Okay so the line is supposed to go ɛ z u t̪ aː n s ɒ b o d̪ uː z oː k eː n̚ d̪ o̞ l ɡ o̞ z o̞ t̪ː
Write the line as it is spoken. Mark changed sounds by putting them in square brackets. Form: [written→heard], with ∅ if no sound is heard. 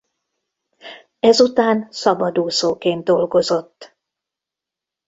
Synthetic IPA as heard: ɛ z u t̪ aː n s ɒ b [o→ɒ] d̪ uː [z→s] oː k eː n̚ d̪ o̞ l ɡ o̞ z o̞ t̪ː